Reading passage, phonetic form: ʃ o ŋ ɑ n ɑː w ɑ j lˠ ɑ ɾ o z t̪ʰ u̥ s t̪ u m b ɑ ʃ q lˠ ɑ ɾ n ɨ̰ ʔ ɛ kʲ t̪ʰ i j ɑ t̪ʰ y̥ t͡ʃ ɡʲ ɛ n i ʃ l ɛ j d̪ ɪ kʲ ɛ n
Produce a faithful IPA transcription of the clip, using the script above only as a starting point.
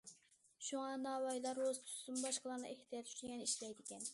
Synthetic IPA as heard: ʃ u ŋ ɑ n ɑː w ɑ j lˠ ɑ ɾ o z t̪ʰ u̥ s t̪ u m b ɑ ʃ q lˠ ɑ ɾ n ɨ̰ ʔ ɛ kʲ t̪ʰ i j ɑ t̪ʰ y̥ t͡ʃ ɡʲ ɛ n i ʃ l ɛ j d̪ ɪ kʲ ɛ n